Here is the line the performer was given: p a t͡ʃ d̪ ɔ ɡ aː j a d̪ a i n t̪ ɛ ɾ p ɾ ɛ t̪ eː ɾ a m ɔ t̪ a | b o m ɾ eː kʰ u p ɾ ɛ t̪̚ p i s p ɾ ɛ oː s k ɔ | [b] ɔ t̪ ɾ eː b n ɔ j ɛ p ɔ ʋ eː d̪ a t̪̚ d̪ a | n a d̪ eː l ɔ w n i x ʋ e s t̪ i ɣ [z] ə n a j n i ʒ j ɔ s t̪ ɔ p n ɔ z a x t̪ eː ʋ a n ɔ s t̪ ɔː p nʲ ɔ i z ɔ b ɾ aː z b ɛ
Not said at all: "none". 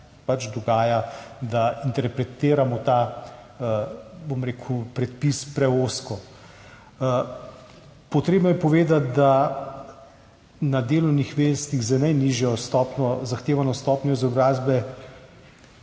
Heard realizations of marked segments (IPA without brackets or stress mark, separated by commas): p, z